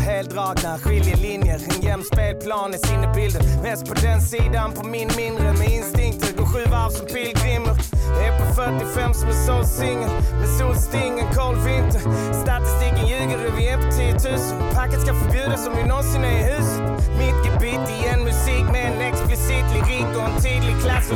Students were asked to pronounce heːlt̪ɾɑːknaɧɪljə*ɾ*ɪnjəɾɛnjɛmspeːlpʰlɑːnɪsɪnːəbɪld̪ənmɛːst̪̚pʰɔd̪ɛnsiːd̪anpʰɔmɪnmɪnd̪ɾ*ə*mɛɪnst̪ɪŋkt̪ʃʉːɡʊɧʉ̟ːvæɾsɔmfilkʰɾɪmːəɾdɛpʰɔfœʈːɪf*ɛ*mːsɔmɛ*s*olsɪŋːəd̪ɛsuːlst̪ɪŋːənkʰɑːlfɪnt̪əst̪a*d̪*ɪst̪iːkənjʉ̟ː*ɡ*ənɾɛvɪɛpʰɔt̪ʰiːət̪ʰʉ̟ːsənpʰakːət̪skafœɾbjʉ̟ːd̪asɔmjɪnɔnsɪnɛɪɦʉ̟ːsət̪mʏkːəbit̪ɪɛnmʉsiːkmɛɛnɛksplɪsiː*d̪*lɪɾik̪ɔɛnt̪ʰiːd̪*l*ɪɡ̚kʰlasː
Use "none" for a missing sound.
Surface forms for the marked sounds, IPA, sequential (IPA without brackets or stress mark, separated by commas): l, ə, ɛ, s, t̪, ɡ, t̪, l